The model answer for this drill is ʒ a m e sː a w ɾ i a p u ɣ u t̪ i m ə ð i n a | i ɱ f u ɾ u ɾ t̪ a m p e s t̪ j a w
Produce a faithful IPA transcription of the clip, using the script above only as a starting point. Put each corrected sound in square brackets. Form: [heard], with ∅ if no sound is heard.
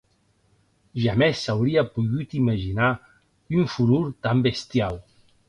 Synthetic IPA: ʒ a m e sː a w ɾ i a p u ɣ u t̪ i m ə [ʒ] i n a | [y] ɱ f u ɾ u ɾ t̪ a m [b] e s t̪ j a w